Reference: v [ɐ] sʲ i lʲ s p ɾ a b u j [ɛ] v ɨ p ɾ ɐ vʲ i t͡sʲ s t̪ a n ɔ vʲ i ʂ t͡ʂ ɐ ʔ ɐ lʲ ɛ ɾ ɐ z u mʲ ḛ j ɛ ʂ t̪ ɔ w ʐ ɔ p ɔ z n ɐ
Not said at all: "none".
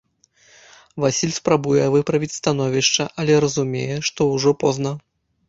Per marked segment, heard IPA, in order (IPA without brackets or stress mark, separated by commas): a, ɛ